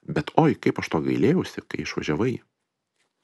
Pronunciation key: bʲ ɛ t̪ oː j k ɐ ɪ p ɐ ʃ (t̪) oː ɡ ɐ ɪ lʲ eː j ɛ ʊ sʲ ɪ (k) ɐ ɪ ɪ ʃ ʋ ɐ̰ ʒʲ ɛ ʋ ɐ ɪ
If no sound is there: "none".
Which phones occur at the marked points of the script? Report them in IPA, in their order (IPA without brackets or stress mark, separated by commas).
t̪, k